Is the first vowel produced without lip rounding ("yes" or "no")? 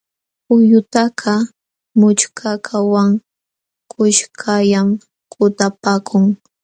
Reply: no